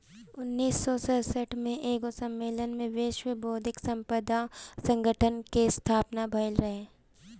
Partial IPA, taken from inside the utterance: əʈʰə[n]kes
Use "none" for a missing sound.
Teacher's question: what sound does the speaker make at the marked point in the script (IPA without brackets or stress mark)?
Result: n